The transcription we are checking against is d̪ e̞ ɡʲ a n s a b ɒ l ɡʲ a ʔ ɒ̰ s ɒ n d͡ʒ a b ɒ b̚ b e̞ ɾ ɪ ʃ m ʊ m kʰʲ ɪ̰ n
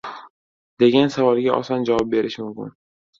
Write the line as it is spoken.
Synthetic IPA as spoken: d̪ e̞ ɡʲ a n s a v ɒ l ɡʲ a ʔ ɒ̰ s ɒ n d͡ʒ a v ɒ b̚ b e̞ ɾ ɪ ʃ m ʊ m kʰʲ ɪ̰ n